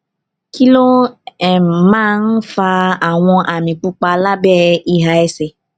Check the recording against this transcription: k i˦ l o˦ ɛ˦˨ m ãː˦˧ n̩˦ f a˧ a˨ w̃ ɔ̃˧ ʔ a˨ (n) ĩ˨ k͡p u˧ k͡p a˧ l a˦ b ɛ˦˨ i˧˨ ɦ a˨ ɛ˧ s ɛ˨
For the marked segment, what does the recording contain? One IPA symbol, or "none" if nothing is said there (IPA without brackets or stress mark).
m